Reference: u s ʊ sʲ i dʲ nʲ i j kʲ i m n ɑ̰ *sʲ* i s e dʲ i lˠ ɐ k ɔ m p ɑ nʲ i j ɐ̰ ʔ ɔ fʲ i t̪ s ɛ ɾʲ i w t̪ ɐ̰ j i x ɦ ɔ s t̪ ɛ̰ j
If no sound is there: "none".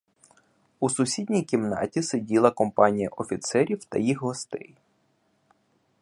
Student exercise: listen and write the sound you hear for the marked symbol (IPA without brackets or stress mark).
tʲ